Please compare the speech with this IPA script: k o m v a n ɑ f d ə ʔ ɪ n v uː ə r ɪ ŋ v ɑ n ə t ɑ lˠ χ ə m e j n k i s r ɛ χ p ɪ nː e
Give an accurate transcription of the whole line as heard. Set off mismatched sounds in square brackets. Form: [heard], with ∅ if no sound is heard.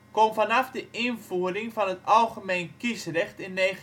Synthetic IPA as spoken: k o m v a n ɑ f d ə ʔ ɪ n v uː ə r ɪ ŋ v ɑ n ə t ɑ lˠ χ ə m e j n k i s r ɛ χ [t] ɪ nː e